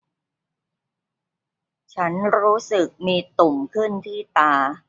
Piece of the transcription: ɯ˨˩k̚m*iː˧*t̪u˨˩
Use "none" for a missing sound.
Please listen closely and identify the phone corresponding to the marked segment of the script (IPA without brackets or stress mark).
iː˧